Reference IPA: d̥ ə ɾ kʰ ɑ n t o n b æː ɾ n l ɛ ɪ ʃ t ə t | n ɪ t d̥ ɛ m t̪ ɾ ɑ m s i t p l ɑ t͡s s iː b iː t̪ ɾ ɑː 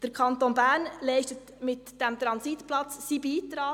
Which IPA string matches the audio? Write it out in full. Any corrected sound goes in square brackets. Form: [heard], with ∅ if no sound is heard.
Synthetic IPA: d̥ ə ɾ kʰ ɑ n t o n b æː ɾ n l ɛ ɪ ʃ t ə t | [m] ɪ t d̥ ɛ m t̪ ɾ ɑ [n] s i t p l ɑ t͡s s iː b iː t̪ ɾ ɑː